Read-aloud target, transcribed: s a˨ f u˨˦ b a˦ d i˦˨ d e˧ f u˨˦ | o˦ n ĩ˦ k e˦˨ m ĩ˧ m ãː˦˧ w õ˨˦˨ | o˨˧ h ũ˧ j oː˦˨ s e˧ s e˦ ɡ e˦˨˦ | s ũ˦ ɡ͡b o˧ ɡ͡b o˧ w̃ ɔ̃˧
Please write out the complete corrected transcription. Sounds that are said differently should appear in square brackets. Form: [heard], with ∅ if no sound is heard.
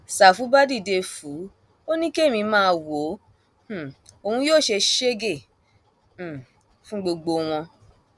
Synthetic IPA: s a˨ f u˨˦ b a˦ d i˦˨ d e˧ f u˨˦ | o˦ n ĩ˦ k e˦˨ m ĩ˧ m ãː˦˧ w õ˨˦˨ | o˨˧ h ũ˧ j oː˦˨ [ʃ] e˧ [ʃ] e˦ ɡ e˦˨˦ | [f] ũ˦ ɡ͡b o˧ ɡ͡b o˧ w̃ ɔ̃˧